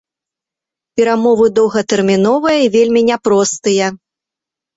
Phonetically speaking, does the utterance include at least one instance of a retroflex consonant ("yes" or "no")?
no